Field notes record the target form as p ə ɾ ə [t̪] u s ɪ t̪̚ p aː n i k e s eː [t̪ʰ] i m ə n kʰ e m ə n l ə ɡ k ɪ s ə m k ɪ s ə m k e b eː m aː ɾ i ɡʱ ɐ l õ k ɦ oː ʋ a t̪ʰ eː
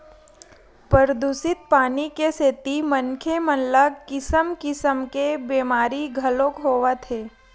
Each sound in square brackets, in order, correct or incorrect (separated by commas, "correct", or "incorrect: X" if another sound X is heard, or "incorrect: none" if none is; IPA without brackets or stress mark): incorrect: d̪, incorrect: t̪